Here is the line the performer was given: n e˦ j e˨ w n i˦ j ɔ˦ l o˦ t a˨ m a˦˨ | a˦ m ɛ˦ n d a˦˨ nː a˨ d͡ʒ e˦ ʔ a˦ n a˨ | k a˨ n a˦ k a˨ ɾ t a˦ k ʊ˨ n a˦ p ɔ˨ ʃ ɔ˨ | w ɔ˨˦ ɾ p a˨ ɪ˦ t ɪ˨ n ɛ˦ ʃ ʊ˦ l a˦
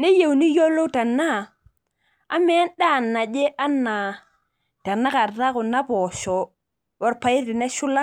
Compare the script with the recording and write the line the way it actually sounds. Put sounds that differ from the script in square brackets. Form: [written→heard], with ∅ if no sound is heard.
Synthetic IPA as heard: n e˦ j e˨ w n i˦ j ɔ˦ l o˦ t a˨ [m→n] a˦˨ | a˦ m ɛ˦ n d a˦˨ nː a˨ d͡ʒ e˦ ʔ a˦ n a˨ | [k→t] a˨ n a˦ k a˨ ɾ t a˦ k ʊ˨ n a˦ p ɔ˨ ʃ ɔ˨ | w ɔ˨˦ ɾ p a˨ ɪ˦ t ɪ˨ n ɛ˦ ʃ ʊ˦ l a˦